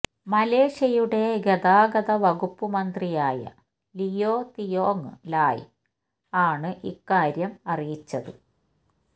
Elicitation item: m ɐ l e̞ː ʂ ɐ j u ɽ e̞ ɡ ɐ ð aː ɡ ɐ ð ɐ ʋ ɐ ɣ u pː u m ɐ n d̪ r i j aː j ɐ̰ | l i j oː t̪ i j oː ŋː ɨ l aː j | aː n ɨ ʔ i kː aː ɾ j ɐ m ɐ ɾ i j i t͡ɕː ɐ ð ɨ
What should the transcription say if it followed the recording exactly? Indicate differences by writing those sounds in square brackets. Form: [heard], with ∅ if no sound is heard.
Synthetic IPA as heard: m ɐ l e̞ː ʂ ɐ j u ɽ e̞ ɡ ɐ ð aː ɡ ɐ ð ɐ ʋ ɐ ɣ u pː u m ɐ n d̪ r i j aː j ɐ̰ | l i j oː t̪ i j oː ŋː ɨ l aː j | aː [ɳ] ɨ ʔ i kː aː ɾ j ɐ m ɐ [r] i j i t͡ɕː ɐ ð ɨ